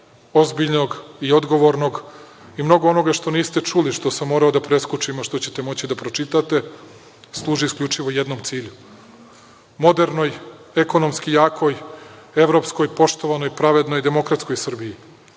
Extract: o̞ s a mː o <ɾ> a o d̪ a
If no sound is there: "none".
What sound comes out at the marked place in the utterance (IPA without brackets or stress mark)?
ɾ